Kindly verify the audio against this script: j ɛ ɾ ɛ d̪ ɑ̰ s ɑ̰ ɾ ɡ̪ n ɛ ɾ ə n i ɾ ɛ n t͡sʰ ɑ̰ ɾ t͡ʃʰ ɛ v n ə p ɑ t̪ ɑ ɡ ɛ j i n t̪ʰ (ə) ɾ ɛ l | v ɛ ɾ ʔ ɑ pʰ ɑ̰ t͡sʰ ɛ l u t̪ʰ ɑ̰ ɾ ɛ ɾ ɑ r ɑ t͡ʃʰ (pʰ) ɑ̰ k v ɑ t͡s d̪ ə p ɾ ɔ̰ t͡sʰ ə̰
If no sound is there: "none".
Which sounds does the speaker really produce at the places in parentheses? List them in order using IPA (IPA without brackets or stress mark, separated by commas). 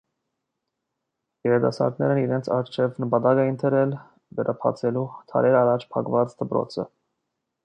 ə, pʰ